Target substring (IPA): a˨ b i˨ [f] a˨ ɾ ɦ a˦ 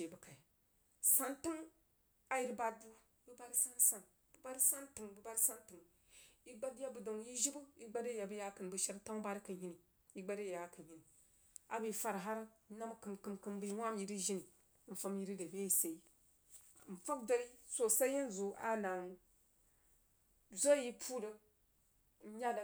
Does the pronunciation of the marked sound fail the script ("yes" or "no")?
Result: no